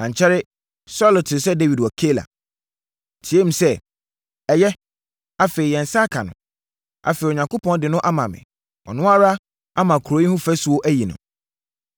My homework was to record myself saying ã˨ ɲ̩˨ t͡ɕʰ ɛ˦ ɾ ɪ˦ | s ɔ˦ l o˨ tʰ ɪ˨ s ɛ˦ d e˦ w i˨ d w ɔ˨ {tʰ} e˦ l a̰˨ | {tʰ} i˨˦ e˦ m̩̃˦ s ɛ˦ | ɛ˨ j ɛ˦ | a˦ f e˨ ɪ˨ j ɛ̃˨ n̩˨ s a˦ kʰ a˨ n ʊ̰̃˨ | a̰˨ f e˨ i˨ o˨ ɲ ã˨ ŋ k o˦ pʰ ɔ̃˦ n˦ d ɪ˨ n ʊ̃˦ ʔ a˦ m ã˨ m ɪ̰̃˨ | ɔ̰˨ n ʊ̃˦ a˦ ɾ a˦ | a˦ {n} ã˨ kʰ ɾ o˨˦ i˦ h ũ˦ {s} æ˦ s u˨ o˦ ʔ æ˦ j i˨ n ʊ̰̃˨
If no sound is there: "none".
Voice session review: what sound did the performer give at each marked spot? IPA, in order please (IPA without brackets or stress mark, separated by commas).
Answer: kʰ, tʰ, m, f